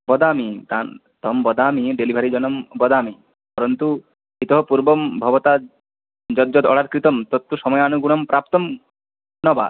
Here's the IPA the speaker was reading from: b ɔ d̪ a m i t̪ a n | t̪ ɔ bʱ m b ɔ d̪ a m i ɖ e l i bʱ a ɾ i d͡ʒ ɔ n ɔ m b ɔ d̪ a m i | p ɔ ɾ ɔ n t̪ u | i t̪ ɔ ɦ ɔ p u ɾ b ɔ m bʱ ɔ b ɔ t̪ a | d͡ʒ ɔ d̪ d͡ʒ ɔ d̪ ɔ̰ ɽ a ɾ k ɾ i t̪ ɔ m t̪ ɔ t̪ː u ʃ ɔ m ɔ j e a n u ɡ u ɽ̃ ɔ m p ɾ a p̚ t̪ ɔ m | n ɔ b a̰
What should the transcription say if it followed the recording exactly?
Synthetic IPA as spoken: b ɔ d̪ a m i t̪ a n | t̪ ɔ m b ɔ d̪ a m i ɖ e l i bʱ a ɾ i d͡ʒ ɔ n ɔ m b ɔ d̪ a m i | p ɔ ɾ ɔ n t̪ u | i t̪ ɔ ɦ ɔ p u ɾ b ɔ m bʱ ɔ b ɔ t̪ a | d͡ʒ ɔ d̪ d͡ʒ ɔ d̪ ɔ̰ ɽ a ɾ k ɾ i t̪ ɔ m t̪ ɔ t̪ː u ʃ ɔ m ɔ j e a n u ɡ u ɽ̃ ɔ m p ɾ a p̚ t̪ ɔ m | n ɔ b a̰